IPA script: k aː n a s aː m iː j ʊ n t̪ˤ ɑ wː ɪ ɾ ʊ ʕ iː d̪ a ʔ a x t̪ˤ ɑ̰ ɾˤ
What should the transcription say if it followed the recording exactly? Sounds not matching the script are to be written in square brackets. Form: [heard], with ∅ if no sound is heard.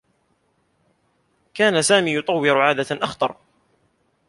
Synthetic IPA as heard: k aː n a s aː m iː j ʊ [∅] t̪ˤ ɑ wː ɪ ɾ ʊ ʕ [aː] d̪ a ʔ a x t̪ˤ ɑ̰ ɾˤ